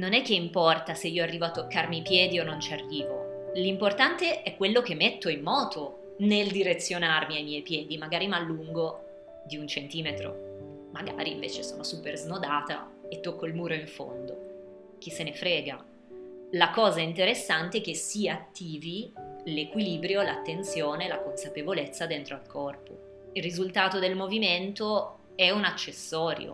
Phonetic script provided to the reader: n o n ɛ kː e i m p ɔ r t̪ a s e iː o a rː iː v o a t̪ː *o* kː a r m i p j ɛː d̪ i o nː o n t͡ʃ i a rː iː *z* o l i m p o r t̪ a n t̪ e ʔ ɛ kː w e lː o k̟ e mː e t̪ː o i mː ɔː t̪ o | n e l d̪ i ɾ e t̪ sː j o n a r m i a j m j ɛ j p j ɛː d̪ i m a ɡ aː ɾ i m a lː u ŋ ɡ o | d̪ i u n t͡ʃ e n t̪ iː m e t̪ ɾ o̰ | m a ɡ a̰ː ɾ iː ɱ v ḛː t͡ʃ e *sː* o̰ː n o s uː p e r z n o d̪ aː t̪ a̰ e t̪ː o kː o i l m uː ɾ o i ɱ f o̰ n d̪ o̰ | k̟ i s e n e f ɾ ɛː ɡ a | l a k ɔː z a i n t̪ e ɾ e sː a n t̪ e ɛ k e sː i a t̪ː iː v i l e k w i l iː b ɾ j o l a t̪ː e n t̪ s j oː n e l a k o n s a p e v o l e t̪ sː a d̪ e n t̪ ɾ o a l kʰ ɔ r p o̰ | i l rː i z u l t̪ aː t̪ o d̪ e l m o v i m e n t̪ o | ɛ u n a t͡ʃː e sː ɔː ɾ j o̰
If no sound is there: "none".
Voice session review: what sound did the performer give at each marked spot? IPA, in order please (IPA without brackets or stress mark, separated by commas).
o, v, s